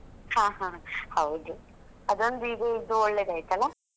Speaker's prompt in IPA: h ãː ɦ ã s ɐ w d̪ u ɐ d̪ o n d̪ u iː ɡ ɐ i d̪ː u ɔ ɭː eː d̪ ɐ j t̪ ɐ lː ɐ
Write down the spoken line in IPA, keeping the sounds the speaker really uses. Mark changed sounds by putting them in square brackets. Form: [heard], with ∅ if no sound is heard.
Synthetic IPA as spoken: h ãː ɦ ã [h] ɐ w d̪ u ɐ d̪ o n d̪ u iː ɡ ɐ i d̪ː u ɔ ɭː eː d̪ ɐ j t̪ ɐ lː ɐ